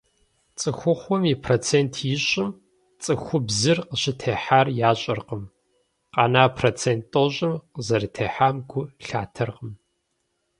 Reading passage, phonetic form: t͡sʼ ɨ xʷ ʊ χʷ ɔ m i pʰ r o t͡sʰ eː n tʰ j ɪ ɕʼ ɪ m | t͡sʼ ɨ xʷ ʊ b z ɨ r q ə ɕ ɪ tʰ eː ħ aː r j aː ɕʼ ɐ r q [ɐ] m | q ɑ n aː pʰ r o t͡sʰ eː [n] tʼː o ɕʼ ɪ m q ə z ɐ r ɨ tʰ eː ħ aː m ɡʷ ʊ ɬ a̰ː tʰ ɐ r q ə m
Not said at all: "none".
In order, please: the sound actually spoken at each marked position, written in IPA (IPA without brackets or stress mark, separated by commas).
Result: ə, n